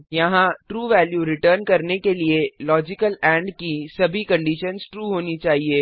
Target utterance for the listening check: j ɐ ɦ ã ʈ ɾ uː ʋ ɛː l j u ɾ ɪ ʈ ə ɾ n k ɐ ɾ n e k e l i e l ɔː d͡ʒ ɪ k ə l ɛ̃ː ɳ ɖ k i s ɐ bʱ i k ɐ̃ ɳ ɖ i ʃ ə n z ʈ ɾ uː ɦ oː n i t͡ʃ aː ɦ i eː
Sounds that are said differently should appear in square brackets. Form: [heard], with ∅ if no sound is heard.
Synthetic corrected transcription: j ɐ ɦ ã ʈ ɾ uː ʋ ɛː l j u ɾ ɪ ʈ ə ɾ n k ɐ ɾ n e k e l i e l ɔː d͡ʒ ɪ k ə l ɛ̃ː ɳ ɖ k i s ɐ bʱ i k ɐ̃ ɳ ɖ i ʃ ə n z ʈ ɾ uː ɦ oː n i t͡ʃ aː ɦ i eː